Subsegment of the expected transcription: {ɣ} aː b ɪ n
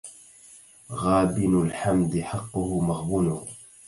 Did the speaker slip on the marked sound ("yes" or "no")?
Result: no